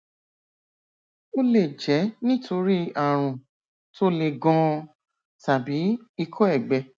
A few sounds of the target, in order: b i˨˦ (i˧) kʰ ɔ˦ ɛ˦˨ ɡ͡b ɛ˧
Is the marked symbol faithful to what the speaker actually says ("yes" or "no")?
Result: yes